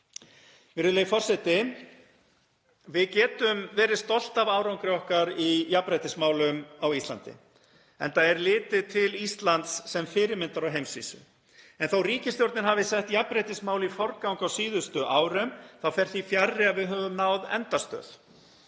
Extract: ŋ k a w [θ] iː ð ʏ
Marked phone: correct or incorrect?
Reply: incorrect